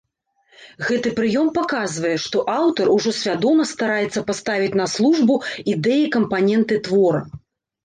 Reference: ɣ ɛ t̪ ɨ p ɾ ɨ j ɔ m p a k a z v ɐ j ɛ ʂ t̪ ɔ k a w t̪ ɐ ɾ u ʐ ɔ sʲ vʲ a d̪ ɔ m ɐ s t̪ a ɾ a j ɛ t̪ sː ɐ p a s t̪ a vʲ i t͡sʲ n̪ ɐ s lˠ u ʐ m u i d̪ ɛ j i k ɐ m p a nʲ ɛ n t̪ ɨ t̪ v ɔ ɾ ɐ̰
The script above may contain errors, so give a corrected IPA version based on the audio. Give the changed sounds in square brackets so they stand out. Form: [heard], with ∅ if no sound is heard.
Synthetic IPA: ɣ ɛ t̪ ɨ p ɾ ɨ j ɔ m p a k a z v ɐ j ɛ ʂ t̪ ɔ [ʔ] a w t̪ ɐ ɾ u ʐ ɔ sʲ vʲ a d̪ ɔ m ɐ s t̪ a ɾ a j ɛ t̪ sː ɐ p a s t̪ a vʲ i t͡sʲ n̪ ɐ s lˠ u ʐ [b] u i d̪ ɛ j i k ɐ m p a nʲ ɛ n t̪ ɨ t̪ v ɔ ɾ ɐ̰